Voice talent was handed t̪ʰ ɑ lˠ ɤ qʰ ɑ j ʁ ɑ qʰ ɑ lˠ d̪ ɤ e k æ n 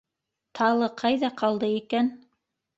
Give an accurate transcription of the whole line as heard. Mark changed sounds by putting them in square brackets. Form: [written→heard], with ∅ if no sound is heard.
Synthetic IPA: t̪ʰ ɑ lˠ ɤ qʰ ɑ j [ʁ→ð] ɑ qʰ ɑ lˠ d̪ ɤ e k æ n

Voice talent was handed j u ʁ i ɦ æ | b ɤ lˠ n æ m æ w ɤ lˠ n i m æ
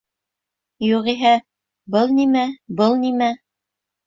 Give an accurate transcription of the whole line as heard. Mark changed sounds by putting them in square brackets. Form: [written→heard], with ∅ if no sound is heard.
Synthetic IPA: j u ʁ i ɦ æ | b ɤ lˠ n [æ→i] m æ [w→b] ɤ lˠ n i m æ

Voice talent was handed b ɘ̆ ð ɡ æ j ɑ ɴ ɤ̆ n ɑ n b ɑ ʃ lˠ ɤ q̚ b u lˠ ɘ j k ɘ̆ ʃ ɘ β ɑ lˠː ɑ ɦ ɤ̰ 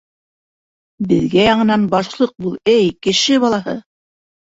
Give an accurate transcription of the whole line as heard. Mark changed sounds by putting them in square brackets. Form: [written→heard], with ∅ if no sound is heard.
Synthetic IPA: b ɘ̆ ð ɡ æ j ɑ ɴ ɤ̆ n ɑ n b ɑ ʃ lˠ ɤ q̚ b u lˠ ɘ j k ɘ̆ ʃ ɘ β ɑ [lˠː→lˠ] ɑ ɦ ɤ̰

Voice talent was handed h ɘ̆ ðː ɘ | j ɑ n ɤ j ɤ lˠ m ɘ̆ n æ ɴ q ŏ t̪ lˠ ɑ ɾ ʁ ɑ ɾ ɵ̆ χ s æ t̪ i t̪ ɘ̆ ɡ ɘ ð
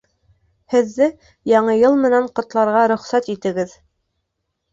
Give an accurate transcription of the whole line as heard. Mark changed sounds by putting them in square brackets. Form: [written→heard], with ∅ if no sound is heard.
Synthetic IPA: h ɘ̆ ðː ɘ | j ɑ [n→ɴ] ɤ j ɤ lˠ m ɘ̆ n æ ɴ q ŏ t̪ lˠ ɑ ɾ ʁ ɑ ɾ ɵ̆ χ s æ t̪ i t̪ ɘ̆ ɡ ɘ ð

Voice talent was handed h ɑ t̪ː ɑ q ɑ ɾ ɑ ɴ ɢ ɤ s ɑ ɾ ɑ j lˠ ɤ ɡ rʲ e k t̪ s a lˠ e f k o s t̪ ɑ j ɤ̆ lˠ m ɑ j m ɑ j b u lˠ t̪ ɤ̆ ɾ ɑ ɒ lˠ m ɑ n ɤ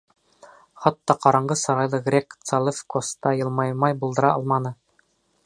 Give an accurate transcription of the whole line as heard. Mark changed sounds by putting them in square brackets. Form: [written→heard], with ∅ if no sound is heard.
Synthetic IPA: [h→χ] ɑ t̪ː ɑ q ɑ ɾ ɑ ɴ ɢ ɤ s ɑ ɾ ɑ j lˠ ɤ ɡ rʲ e k t̪ s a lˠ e f k o s t̪ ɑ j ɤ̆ lˠ m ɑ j m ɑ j b u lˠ [t̪→d̪] ɤ̆ ɾ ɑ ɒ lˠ m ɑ n ɤ

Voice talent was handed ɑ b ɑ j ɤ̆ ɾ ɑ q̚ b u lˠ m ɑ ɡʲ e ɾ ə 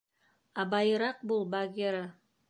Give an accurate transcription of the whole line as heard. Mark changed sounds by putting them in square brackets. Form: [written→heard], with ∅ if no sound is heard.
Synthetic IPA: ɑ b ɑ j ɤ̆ ɾ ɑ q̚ b u lˠ [m→b] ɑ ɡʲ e ɾ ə

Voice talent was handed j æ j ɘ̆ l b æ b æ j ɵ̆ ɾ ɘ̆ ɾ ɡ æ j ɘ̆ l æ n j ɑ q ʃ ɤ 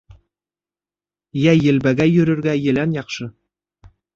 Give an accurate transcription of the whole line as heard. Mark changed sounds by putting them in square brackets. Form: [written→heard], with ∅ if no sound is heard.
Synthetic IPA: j æ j ɘ̆ l b æ [b→ɡ] æ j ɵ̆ ɾ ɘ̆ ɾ ɡ æ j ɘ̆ l æ n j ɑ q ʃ ɤ

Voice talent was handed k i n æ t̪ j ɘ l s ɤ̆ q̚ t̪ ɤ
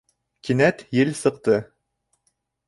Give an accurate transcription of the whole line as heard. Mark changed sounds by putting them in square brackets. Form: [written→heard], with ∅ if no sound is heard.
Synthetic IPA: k i n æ t̪ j ɘ l s ɤ̆ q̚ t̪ ɤ

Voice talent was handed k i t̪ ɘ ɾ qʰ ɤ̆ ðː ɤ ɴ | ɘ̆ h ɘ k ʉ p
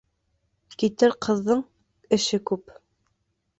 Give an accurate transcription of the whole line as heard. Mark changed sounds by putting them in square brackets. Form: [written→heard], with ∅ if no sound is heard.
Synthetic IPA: k i t̪ ɘ ɾ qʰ ɤ̆ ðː ɤ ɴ | ɘ̆ [h→ʃ] ɘ k ʉ p

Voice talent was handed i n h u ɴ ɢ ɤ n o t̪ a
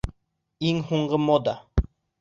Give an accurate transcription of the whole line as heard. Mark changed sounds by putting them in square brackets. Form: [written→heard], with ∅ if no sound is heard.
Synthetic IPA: i [n→ŋ] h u ɴ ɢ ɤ [n→m] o [t̪→d̪] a

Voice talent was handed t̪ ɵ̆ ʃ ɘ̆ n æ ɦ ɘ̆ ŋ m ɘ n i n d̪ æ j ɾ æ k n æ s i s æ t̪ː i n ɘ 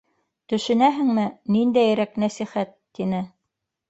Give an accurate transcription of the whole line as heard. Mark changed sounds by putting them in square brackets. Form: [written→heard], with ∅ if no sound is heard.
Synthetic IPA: t̪ ɵ̆ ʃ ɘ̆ n æ ɦ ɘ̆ ŋ m ɘ n i n d̪ æ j ɾ æ k n æ s i [s→χ] æ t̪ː i n ɘ

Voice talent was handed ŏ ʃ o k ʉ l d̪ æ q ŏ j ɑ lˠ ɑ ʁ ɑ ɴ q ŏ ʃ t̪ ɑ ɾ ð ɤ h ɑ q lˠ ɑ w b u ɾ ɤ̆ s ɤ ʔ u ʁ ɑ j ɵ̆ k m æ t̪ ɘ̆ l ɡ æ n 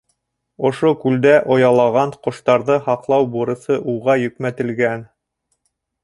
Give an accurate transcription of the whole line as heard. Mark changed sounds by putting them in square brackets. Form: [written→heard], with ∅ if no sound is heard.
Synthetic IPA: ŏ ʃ o k ʉ l d̪ æ [q→ʔ] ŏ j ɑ lˠ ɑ ʁ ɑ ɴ q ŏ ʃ t̪ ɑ ɾ ð ɤ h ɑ q lˠ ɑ w b u ɾ ɤ̆ s ɤ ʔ u ʁ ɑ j ɵ̆ k m æ t̪ ɘ̆ l ɡ æ n

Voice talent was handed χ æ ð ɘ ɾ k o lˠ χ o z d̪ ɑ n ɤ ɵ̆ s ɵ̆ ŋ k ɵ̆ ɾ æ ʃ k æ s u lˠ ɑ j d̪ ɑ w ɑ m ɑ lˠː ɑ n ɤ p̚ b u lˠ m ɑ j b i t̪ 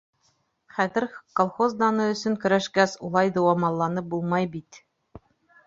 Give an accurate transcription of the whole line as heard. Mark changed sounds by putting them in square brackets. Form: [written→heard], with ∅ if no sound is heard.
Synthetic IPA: χ æ ð ɘ ɾ k o lˠ χ o z d̪ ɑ n ɤ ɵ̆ s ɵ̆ ŋ k ɵ̆ ɾ æ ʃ k æ s u lˠ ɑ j d̪ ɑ w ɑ m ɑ lˠː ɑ n ɤ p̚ b u lˠ m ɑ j b i t̪

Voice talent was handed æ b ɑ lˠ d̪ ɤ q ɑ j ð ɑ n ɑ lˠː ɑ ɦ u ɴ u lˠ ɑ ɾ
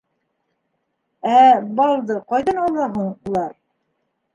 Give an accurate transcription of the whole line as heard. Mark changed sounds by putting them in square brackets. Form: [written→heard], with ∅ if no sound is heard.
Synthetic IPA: æ b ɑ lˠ d̪ ɤ q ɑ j ð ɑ n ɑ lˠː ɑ ɦ u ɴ u lˠ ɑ ɾ

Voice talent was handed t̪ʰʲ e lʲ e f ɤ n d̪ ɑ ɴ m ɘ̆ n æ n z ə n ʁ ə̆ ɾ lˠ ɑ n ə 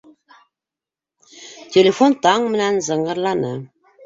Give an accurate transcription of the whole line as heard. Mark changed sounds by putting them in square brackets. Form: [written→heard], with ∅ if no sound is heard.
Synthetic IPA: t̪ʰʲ e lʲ e f [ɤ→o] n [d̪→t̪] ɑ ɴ m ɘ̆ n æ n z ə [n→ɴ] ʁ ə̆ ɾ lˠ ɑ n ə

